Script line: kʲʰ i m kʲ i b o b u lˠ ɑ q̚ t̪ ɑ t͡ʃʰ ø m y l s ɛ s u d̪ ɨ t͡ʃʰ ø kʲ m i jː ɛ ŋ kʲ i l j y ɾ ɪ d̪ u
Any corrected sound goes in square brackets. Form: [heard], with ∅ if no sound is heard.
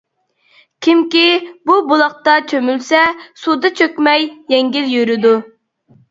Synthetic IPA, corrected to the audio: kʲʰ i m kʲ i b [u] b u lˠ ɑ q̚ t̪ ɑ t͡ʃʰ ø m y l s ɛ s u d̪ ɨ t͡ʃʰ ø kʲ m [ɛ] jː ɛ ŋ [ɡʲ] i l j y ɾ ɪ d̪ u